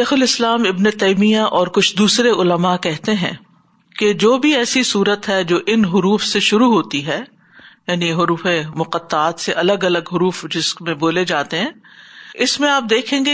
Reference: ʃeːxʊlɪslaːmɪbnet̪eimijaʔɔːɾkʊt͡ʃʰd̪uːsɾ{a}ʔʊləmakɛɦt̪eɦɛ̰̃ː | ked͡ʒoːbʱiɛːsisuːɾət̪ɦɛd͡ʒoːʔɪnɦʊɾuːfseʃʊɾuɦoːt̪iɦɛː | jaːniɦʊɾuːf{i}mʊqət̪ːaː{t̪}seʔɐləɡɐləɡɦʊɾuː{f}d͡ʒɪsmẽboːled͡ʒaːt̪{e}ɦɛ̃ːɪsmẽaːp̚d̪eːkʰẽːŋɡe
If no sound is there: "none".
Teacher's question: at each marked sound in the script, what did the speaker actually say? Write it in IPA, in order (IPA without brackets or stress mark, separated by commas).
e, e, t̪, f, e